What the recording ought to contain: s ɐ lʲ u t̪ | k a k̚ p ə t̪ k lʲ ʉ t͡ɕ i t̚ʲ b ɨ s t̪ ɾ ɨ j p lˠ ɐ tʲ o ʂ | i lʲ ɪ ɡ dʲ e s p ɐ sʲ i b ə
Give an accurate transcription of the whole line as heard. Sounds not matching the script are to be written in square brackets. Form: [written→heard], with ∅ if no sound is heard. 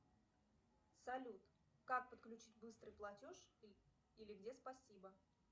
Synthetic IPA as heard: s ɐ lʲ u t̪ | k a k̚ p ə t̪ k lʲ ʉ t͡ɕ i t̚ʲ b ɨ s t̪ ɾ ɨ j p lˠ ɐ tʲ o ʂ | i lʲ ɪ ɡ dʲ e s p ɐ sʲ i b ə